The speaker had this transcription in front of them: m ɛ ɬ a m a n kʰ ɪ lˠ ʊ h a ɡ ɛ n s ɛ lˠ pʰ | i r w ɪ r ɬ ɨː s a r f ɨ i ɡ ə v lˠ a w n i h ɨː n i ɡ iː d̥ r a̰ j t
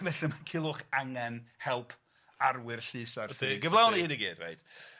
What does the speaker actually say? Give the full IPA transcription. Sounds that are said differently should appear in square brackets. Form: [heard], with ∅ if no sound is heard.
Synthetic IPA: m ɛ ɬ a m a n kʰ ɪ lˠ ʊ [χ] a [ŋ] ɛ n [h] ɛ lˠ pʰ | [a] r w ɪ r ɬ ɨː s a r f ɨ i ɡ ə v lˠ a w n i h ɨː n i ɡ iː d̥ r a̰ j t